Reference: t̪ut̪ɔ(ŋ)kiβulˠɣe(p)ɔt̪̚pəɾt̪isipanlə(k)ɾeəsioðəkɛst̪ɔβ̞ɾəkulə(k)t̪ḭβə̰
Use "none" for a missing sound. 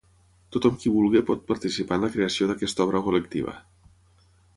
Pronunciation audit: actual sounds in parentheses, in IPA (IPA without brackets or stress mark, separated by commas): m, p, k, k